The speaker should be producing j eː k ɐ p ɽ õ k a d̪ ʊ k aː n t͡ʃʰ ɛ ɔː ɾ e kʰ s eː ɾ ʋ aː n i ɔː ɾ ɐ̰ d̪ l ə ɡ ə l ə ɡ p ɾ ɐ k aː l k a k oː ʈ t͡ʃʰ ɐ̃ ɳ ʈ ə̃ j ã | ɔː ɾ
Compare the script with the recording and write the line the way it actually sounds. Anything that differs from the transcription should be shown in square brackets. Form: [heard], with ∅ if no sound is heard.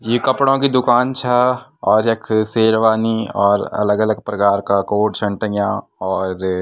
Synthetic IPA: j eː k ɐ p ɽ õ k [i] d̪ ʊ k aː n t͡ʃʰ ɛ ɔː ɾ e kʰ s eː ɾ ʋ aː n i ɔː ɾ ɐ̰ [∅] l ə ɡ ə l ə ɡ p ɾ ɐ k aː [ɾ] k a k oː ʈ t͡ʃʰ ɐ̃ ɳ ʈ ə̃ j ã | ɔː ɾ